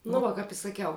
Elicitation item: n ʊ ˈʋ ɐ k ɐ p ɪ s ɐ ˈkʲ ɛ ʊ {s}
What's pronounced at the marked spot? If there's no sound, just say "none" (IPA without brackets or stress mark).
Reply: none